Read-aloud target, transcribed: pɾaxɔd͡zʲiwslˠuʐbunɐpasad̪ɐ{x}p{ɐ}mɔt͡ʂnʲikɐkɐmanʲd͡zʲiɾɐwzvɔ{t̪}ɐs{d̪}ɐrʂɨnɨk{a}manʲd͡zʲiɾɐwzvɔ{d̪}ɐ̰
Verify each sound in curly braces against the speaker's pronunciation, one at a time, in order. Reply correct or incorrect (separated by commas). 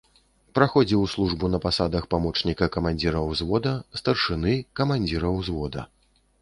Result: correct, incorrect, incorrect, incorrect, incorrect, correct